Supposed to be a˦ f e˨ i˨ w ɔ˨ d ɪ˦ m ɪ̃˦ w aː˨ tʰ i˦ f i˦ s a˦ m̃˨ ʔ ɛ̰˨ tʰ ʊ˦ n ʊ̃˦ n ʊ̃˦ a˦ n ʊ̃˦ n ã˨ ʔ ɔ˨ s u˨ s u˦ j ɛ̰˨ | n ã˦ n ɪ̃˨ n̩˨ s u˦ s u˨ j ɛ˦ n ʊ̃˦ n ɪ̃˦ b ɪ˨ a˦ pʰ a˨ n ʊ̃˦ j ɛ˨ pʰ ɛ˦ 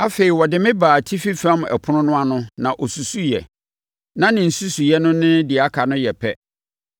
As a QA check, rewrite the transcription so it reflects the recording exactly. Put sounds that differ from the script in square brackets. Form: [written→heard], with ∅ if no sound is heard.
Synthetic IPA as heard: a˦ f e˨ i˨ w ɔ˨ d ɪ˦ m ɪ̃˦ [w→b] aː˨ tʰ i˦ f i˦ [s→f] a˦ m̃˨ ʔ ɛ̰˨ [tʰ→pʰ] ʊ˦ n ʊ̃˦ n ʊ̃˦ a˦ n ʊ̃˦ n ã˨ ʔ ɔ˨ s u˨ s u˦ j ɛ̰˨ | n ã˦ n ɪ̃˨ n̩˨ s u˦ s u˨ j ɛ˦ n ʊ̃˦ n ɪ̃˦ [b→d] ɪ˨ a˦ [pʰ→kʰ] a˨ n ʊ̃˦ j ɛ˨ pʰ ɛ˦